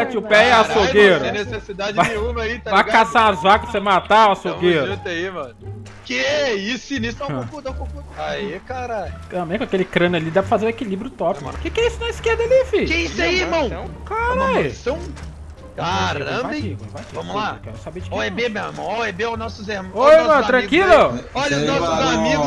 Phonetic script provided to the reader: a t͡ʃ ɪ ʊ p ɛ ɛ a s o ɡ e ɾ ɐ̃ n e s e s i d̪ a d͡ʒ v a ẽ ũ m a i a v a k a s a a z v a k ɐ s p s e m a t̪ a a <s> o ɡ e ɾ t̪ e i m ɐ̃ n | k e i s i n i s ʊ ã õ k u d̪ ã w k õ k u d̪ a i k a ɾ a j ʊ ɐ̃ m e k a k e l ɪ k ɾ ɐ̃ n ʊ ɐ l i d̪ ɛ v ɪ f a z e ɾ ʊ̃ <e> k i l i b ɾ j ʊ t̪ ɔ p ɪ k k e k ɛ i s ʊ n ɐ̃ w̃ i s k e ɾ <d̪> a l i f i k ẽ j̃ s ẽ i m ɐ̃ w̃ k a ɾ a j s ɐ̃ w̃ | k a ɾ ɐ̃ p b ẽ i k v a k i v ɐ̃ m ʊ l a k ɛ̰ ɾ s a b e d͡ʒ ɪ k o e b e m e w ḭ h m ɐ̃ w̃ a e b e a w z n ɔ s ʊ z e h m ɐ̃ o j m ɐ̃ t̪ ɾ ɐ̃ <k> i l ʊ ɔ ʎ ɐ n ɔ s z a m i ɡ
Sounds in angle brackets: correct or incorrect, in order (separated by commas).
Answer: correct, correct, correct, correct